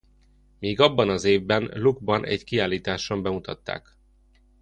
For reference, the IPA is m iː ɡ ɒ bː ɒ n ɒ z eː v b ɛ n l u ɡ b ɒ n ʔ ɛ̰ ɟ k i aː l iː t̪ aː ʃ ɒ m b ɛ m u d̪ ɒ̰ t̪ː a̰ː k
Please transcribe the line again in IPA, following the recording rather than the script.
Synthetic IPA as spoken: m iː ɡ ɒ bː ɒ n ɒ z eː v b ɛ n l u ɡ b ɒ n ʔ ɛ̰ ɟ k i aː l iː t̪ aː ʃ o m b ɛ m u t̪ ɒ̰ t̪ː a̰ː k